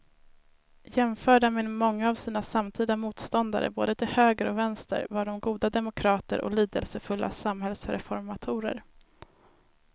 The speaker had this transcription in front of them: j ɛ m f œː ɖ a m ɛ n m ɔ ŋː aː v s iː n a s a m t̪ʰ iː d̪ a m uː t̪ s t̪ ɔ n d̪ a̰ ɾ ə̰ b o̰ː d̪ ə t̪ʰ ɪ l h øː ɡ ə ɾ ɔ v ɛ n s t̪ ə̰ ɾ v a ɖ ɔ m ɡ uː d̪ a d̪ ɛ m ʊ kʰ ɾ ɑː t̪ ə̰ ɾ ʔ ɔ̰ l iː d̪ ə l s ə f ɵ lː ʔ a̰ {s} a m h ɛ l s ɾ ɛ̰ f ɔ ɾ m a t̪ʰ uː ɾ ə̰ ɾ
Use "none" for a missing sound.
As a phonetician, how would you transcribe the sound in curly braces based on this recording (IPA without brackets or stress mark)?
s